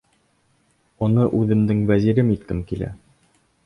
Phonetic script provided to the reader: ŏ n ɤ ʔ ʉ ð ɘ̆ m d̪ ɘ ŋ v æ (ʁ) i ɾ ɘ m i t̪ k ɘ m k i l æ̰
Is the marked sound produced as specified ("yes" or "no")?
no